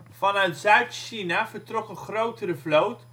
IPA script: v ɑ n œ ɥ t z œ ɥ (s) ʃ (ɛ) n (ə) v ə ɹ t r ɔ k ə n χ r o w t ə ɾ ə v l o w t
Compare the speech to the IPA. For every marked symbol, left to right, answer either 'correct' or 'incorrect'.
incorrect: t, incorrect: i, incorrect: a

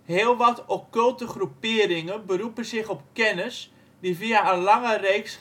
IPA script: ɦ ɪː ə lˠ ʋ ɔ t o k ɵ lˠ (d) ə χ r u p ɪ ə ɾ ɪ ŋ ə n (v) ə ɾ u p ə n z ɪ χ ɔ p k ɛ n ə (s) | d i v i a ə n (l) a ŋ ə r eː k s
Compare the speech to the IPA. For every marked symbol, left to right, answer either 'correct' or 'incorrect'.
incorrect: t, incorrect: b, correct, correct

